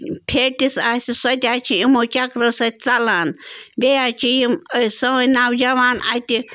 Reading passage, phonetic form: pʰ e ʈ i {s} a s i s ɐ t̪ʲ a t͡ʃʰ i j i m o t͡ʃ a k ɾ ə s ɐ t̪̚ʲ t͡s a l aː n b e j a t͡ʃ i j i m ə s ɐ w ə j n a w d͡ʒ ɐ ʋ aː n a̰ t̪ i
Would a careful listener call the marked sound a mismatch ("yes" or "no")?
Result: no